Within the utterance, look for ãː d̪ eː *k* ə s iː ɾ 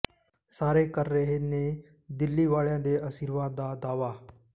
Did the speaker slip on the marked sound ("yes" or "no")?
yes